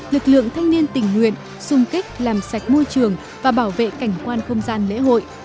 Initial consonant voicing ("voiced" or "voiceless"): voiced